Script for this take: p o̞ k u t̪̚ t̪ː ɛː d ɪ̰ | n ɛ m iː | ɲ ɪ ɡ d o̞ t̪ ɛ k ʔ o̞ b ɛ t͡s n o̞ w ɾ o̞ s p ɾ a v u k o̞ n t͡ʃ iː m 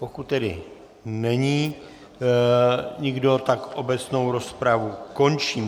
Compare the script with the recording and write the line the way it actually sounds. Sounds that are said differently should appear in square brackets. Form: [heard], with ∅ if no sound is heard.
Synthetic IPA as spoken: p o̞ k u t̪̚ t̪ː [ɛ] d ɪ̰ | n ɛ [ɲ] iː | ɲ ɪ ɡ d o̞ t̪ [a] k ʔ o̞ b ɛ t͡s n o̞ w ɾ o̞ s p ɾ a v u k o̞ n t͡ʃ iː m